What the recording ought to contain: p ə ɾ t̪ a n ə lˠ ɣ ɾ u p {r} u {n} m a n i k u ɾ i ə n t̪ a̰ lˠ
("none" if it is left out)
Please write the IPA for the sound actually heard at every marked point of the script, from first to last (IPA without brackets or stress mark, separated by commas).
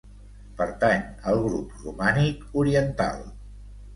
r, none